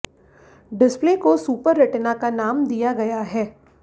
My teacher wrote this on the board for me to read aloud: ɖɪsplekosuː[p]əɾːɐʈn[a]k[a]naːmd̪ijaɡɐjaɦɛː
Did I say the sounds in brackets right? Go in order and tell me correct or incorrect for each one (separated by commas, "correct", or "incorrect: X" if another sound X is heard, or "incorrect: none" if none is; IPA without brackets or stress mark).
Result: correct, correct, correct